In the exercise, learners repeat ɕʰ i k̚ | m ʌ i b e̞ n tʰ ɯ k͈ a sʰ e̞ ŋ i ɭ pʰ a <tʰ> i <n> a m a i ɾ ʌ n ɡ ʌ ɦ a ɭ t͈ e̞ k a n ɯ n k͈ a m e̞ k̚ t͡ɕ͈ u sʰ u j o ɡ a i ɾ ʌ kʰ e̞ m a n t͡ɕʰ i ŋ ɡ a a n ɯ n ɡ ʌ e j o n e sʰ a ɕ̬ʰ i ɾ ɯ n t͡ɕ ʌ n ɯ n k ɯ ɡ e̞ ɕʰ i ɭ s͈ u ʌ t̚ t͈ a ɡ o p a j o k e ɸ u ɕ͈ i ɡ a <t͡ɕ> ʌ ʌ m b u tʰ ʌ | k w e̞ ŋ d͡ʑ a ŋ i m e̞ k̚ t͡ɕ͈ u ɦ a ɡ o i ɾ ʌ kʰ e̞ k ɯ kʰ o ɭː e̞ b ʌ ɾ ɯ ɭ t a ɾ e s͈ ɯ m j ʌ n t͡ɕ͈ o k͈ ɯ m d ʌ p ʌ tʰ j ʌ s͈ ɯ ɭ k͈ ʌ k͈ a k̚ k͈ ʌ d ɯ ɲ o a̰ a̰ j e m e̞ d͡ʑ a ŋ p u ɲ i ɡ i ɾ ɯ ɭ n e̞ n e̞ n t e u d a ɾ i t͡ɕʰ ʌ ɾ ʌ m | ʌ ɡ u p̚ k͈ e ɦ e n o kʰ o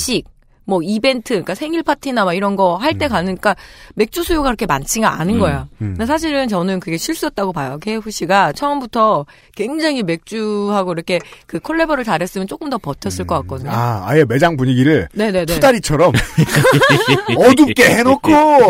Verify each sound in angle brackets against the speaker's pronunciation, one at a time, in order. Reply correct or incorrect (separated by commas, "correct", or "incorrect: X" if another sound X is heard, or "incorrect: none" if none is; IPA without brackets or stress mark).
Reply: correct, correct, incorrect: t͡ɕʰ